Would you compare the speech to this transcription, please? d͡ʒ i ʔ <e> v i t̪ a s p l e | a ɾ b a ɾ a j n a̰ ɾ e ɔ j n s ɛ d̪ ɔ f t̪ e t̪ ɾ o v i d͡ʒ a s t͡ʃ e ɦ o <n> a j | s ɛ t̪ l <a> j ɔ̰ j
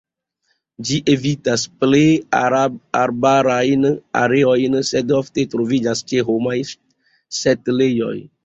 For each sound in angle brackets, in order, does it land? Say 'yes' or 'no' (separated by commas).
yes, no, no